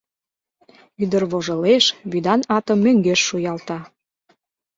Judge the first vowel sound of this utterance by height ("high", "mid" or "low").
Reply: high